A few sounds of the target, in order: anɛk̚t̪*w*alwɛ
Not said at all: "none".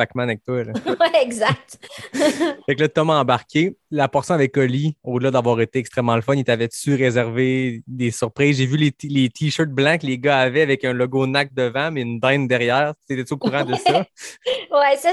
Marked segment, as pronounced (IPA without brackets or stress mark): w